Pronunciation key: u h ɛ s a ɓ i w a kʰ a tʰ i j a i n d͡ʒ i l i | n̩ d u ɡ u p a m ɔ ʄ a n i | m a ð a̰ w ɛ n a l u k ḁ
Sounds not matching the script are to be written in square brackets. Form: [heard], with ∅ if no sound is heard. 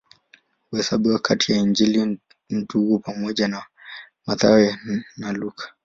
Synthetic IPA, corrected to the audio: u h ɛ s a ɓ i w a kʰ a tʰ i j a i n d͡ʒ i l i | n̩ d u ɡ u p a m ɔ ʄ a n [a] | m a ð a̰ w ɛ n a l u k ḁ